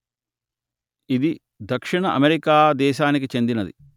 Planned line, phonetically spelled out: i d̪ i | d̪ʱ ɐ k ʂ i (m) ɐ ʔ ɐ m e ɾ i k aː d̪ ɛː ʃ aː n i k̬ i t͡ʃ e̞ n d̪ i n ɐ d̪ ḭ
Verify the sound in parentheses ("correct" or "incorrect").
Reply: incorrect